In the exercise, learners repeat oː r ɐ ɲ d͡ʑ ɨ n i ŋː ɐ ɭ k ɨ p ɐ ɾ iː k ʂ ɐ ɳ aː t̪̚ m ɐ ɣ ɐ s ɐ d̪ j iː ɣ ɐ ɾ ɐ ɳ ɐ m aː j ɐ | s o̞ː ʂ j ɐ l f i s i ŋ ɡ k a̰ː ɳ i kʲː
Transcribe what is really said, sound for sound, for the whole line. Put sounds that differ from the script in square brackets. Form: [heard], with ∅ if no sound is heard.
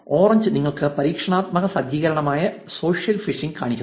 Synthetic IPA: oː r ɐ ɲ d͡ʑ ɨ n i ŋː ɐ ɭ k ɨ p ɐ ɾ iː k ʂ ɐ ɳ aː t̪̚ m ɐ ɣ ɐ s ɐ d̪ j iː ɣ ɐ ɾ ɐ ɳ ɐ m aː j ɐ | s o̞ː ʂ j ɐ l f i [ʂ] i ŋ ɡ k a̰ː ɳ i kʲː